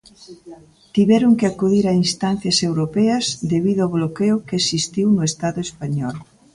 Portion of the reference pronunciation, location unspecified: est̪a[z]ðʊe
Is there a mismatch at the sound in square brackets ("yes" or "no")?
yes